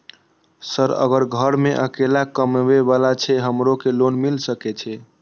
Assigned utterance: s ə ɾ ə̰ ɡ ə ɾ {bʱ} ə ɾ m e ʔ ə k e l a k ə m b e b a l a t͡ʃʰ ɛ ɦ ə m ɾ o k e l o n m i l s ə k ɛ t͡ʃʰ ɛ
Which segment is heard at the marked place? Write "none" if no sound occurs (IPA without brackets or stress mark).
ɡʱ